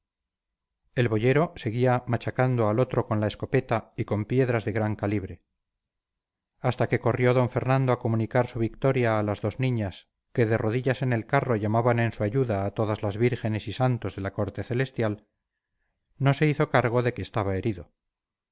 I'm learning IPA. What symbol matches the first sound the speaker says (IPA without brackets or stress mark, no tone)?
e̞